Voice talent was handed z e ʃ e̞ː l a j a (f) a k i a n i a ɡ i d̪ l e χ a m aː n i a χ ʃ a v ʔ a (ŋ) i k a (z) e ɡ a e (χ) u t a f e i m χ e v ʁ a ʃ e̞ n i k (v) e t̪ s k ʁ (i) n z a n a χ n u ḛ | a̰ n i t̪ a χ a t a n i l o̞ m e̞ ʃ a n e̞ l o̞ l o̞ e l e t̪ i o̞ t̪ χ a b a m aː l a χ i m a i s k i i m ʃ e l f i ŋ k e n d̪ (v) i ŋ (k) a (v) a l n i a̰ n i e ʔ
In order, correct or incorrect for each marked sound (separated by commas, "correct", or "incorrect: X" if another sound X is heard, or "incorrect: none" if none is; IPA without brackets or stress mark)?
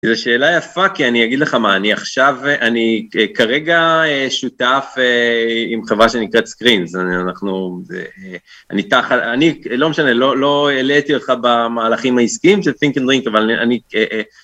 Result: correct, incorrect: n, incorrect: ʁ, incorrect: ʃ, incorrect: ʁ, correct, incorrect: ʁ, correct, correct